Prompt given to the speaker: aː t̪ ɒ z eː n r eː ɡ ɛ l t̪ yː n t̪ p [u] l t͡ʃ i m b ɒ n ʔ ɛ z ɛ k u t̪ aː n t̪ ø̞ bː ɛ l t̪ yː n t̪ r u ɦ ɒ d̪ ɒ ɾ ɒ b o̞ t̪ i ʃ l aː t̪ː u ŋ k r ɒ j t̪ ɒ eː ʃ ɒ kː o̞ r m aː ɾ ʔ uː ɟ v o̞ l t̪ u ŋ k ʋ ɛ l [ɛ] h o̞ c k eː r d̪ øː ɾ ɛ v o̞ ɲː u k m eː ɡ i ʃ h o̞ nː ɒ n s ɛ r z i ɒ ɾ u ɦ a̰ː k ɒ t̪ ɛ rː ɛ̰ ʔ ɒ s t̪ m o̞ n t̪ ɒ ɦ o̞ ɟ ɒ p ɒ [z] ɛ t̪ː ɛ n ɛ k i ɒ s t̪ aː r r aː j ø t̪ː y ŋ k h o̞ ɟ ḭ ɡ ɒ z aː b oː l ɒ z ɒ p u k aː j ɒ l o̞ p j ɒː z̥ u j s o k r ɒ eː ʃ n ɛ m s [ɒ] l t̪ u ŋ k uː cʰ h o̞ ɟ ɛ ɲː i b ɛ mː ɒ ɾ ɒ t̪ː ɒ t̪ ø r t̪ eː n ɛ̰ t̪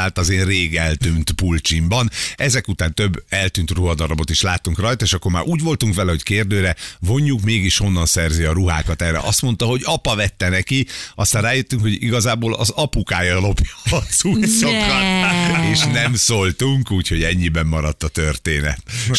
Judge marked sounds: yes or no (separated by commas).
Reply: yes, yes, no, no